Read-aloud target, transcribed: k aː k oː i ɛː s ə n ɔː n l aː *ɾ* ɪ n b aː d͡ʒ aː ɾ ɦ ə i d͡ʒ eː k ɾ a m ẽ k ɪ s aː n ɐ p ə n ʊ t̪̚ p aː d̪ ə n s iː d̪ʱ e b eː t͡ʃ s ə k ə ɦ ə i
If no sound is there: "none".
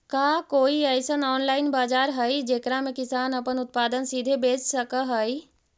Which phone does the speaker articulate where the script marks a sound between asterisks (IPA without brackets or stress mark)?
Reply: none